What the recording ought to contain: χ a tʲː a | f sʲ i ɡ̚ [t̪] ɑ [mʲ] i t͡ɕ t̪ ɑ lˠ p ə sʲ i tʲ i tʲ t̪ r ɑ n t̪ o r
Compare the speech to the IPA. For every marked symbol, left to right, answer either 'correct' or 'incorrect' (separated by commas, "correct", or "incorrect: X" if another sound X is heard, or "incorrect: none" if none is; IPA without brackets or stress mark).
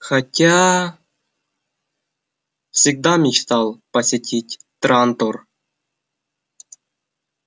incorrect: d̪, correct